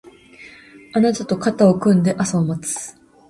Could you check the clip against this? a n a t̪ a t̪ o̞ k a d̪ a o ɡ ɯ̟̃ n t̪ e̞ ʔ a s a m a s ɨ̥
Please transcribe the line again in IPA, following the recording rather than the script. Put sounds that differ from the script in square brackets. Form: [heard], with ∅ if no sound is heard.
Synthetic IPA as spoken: a n a t̪ a t̪ o̞ k a [t̪] a o [k] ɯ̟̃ n [d̪] e̞ ʔ a s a m a [t͡s] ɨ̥